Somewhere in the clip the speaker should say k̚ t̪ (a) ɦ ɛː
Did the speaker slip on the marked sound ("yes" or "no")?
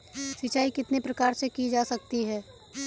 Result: yes